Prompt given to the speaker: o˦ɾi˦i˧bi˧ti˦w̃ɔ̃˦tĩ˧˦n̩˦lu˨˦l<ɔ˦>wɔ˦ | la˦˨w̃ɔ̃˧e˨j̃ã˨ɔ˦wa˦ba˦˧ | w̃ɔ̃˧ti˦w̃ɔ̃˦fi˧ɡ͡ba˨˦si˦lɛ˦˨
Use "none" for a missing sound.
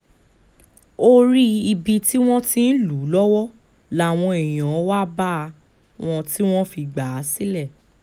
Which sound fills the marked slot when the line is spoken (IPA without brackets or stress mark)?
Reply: ɔ˦